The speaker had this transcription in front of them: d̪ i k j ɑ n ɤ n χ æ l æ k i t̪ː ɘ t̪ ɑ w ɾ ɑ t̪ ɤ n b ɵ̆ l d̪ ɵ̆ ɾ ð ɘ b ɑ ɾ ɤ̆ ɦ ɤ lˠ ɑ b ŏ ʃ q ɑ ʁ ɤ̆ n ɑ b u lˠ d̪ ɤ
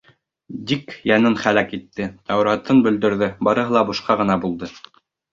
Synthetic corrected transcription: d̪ i k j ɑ n ɤ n χ æ l æ k i t̪ː ɘ t̪ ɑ w ɾ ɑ t̪ ɤ n b ɵ̆ l d̪ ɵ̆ ɾ ð ɘ b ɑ ɾ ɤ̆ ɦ ɤ lˠ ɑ b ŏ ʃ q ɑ ʁ ɤ̆ n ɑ b u lˠ d̪ ɤ